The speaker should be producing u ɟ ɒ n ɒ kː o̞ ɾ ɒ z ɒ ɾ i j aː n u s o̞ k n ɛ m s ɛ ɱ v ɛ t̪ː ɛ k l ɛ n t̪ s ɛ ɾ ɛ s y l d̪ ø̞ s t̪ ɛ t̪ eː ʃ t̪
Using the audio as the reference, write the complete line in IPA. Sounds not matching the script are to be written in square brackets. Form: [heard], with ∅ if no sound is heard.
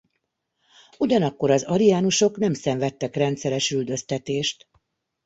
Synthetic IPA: u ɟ ɒ n ɒ kː o̞ ɾ ɒ z ɒ ɾ i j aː n u [ʃ] o̞ k n ɛ m s ɛ ɱ v ɛ t̪ː ɛ k [r] ɛ n t̪ s ɛ ɾ ɛ [ʃ] y l d̪ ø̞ s t̪ ɛ t̪ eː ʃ t̪